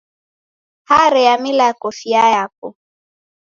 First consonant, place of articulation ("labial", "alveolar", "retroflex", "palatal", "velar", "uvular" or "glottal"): glottal